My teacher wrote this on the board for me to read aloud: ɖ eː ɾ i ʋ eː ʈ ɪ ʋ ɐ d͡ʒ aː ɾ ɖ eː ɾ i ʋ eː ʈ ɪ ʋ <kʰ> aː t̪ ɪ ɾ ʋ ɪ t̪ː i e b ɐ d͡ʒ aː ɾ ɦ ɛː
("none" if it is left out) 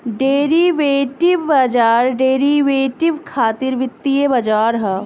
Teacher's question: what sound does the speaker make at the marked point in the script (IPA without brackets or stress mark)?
kʰ